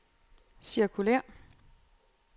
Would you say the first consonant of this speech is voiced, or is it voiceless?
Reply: voiceless